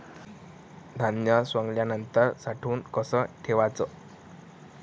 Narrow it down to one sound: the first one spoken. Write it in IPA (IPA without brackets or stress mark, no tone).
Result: d̪ʱ